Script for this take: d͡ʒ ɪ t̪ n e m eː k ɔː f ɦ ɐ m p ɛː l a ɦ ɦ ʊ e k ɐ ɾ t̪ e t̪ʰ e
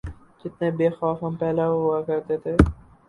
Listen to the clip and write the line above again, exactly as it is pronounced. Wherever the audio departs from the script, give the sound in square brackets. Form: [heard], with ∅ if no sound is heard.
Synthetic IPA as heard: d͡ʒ ɪ t̪ n e [b] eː [x] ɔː f ɦ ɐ m p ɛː l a ɦ ɦ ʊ [a] k ɐ ɾ t̪ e t̪ʰ e